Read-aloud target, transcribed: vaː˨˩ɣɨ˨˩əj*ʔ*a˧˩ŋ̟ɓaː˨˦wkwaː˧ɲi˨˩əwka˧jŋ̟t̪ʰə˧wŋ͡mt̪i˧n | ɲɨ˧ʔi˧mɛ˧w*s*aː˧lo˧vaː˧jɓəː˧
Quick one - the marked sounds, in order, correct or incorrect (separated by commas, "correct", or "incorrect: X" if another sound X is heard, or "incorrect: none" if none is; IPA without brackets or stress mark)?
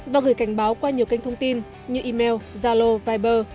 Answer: incorrect: k, incorrect: z